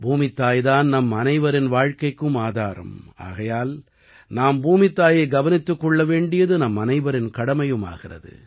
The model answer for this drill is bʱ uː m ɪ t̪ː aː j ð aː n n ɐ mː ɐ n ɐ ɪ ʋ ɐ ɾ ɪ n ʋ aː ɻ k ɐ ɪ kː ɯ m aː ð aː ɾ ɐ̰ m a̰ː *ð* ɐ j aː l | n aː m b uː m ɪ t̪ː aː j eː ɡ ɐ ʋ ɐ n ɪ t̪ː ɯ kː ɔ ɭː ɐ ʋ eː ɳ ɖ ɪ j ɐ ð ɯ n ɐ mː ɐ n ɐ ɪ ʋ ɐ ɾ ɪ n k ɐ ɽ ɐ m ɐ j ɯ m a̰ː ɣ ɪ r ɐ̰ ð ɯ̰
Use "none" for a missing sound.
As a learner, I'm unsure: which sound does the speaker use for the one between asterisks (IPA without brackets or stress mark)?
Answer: ɣ